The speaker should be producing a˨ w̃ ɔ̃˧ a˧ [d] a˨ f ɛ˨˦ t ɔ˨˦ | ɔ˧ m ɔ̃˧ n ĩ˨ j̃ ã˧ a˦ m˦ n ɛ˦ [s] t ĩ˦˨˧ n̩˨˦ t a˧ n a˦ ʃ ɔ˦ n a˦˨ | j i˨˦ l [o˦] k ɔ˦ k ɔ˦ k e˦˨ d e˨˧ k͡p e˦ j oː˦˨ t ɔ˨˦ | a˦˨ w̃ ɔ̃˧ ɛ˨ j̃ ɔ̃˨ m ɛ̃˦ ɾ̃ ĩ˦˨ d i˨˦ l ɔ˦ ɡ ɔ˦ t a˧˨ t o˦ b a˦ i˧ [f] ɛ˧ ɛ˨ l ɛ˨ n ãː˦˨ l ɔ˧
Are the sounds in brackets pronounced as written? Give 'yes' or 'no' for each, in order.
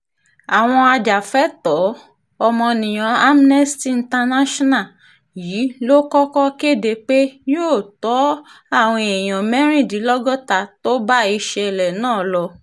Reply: no, yes, yes, no

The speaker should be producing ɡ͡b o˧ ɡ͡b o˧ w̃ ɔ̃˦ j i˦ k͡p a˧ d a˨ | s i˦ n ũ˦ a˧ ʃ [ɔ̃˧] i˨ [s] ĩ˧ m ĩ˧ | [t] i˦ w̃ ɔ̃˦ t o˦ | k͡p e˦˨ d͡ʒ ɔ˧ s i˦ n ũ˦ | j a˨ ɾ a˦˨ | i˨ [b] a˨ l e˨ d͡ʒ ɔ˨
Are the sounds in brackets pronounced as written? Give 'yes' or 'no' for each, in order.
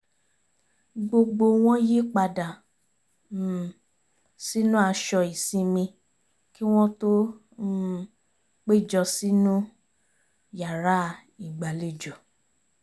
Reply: no, yes, no, no

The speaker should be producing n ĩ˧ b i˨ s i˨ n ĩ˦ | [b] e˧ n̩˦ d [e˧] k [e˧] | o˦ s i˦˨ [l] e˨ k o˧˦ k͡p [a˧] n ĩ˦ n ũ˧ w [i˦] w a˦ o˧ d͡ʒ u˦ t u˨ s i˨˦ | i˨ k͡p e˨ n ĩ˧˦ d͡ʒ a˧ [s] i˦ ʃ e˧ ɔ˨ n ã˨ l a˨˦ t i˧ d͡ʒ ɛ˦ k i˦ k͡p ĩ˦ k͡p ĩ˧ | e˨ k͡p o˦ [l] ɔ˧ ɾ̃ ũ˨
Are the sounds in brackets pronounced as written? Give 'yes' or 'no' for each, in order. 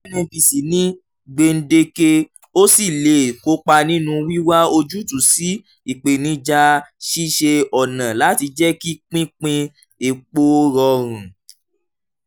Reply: no, yes, yes, yes, yes, yes, no, no

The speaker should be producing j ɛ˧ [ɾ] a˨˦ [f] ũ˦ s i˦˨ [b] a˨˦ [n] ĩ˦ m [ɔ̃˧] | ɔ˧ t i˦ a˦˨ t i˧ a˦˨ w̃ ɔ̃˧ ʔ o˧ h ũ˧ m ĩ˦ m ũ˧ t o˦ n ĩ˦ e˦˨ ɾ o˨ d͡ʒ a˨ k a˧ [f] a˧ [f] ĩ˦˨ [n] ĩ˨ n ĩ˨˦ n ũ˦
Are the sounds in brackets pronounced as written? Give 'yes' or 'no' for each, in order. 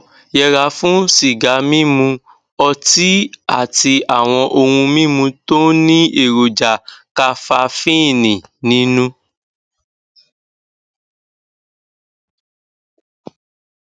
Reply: yes, yes, no, no, no, yes, yes, yes

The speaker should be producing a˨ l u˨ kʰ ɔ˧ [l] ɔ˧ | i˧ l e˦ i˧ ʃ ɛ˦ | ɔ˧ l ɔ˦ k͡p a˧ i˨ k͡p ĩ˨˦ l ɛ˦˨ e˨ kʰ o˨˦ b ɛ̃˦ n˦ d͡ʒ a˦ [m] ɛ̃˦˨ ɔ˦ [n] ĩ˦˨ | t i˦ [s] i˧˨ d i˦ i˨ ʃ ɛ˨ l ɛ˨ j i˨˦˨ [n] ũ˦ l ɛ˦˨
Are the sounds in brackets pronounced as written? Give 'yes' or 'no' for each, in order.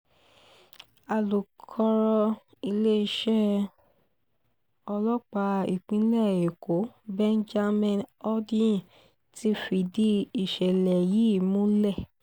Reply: no, yes, no, no, no

